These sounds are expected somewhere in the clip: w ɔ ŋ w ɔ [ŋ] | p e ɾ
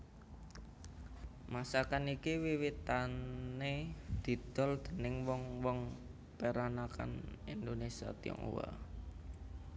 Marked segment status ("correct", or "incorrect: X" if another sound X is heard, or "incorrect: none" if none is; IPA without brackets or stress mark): correct